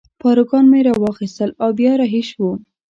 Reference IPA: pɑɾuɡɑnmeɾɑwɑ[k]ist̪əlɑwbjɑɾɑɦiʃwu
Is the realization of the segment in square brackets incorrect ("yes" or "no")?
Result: yes